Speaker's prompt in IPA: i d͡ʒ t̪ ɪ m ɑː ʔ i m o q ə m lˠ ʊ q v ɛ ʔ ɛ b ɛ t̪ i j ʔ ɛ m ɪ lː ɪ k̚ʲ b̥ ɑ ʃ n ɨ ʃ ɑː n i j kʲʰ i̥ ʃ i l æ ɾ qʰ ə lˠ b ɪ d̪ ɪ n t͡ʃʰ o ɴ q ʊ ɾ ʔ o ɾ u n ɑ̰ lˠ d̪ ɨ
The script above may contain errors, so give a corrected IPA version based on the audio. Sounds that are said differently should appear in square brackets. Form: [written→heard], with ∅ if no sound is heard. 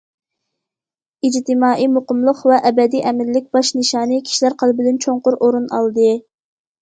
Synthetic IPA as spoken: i d͡ʒ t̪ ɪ m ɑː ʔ i m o q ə m lˠ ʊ q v ɛ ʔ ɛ b ɛ [t̪→d̪] i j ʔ ɛ m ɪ lː ɪ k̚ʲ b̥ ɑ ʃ n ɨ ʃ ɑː n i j kʲʰ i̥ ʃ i l æ ɾ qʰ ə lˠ b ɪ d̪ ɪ n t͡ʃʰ o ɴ q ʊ ɾ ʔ o ɾ u n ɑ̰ lˠ d̪ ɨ